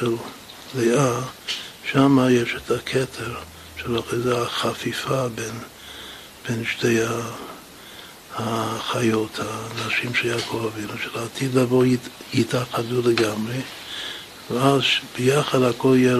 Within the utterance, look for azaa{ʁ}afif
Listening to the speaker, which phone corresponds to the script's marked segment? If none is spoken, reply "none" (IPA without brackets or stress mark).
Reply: χ